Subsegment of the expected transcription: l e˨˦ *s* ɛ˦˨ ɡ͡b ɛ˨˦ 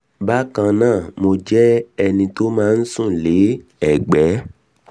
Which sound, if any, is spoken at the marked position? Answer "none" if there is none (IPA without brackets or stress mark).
none